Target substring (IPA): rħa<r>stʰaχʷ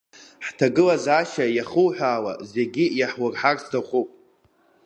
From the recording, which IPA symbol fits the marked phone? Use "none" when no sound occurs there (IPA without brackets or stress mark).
r